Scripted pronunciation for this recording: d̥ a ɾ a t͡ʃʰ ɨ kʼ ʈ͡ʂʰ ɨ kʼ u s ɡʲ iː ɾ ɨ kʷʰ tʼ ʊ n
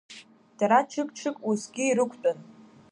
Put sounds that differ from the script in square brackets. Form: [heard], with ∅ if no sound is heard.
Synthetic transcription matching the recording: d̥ a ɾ a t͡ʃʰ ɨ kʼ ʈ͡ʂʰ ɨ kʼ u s ɡʲ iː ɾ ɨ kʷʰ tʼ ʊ n